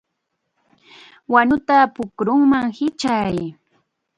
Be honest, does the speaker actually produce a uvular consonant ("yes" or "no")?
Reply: no